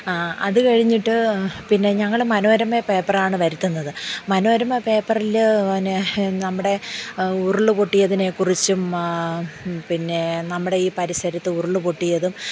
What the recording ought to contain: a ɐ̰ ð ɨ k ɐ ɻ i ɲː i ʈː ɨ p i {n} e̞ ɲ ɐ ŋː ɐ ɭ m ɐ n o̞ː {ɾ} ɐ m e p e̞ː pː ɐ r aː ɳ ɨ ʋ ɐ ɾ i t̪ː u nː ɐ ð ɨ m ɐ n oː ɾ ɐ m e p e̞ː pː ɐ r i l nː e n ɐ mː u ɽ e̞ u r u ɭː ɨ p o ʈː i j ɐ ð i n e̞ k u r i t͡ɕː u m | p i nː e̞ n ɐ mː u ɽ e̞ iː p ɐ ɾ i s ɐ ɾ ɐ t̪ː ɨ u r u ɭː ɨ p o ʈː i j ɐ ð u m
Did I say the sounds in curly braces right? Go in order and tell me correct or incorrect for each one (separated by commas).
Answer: incorrect, correct